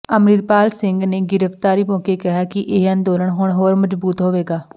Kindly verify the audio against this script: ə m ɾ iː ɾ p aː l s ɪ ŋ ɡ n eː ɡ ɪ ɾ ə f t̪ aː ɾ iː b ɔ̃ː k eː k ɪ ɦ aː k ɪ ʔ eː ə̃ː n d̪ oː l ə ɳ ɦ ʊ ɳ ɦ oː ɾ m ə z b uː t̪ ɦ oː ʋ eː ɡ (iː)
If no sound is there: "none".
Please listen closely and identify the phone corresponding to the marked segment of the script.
aː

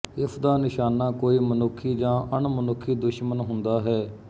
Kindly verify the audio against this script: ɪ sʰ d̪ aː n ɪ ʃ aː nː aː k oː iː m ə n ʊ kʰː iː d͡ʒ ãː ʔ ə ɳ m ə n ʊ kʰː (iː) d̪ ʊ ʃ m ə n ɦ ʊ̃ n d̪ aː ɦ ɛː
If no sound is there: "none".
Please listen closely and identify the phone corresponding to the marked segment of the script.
iː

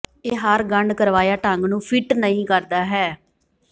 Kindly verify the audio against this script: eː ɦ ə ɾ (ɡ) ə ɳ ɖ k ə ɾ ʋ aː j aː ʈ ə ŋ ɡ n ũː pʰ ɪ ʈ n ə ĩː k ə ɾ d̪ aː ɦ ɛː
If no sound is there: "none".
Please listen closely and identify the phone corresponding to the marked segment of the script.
ɡ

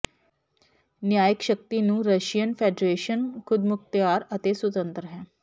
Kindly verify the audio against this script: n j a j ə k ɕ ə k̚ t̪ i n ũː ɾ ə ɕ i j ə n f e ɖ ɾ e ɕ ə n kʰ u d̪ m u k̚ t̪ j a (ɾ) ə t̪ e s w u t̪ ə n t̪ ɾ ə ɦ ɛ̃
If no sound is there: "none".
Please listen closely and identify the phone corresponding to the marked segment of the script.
ɾ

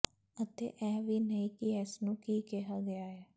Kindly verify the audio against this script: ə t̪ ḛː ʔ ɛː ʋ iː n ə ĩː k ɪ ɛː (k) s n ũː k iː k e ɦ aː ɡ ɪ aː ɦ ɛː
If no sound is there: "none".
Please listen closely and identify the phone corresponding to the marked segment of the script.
none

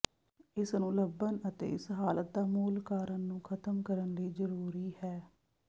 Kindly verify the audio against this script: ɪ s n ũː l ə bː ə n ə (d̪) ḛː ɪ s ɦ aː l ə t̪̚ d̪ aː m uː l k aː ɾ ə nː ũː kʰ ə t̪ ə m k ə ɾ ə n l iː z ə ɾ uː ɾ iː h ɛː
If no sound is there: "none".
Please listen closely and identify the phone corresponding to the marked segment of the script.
t̪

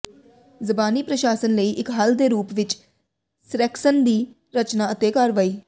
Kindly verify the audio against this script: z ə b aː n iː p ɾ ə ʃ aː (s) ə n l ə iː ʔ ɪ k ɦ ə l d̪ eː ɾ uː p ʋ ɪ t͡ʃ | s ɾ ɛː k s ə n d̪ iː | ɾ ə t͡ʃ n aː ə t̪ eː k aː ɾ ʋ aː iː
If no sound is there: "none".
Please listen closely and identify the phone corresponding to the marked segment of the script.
s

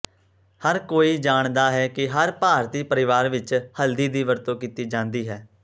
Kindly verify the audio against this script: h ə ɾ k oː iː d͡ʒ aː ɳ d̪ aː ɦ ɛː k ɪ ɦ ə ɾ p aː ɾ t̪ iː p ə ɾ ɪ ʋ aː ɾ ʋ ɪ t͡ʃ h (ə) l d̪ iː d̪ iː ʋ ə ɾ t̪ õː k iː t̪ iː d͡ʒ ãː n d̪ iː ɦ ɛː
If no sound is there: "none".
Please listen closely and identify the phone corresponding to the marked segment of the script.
ə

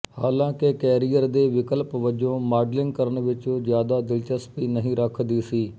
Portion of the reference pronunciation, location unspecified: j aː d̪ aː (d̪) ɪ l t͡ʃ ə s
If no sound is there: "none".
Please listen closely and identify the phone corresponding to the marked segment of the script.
d̪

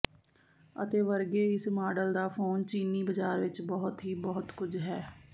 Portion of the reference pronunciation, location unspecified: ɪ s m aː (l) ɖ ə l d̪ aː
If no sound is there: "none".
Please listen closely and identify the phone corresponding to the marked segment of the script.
none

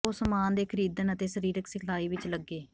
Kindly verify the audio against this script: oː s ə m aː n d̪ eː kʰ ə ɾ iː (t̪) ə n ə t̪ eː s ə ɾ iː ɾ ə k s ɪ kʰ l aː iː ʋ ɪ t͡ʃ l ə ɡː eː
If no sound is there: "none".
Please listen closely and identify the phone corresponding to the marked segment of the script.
d̪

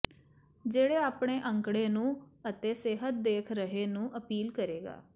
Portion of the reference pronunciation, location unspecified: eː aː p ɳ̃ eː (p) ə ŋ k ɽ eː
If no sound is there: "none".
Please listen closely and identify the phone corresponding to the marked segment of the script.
ʔ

